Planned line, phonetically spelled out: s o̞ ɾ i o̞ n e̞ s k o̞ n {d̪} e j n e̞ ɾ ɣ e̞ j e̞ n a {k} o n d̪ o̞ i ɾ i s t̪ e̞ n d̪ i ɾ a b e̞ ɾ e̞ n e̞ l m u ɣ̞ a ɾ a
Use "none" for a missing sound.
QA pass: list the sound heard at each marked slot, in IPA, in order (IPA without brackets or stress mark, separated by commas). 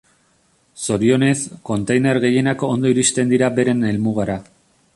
t̪, k